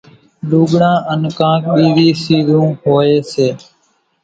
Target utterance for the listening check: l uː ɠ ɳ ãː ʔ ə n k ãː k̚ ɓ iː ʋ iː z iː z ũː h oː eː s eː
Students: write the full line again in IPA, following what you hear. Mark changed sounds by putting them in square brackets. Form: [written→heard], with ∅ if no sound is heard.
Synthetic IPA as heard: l uː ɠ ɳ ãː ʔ ə n k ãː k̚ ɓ iː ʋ iː [z→s] iː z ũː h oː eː s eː

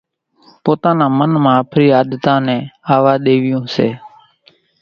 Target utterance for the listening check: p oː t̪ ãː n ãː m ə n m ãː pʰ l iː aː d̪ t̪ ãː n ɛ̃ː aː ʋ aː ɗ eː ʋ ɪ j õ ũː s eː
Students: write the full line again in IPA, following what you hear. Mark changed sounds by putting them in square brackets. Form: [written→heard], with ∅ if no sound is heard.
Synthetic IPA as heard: p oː t̪ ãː n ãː m ə n m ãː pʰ [l→ɾ] iː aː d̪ t̪ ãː n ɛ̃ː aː ʋ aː ɗ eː ʋ ɪ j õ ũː s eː

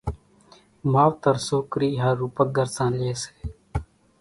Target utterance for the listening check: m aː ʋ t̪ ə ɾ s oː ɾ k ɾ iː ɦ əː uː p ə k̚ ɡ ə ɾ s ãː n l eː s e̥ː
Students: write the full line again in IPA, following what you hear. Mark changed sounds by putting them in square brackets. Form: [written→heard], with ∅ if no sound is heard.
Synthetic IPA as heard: m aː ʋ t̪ ə ɾ s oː [ɾ→∅] k ɾ iː ɦ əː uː p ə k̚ ɡ ə ɾ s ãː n l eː s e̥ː

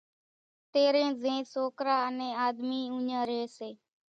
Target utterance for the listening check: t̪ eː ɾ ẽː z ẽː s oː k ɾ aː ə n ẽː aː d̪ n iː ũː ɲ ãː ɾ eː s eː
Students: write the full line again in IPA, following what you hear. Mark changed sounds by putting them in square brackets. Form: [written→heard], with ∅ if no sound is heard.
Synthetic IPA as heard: t̪ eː ɾ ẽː z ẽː s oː k ɾ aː ə n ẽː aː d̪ [n→m] iː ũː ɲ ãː ɾ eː s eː

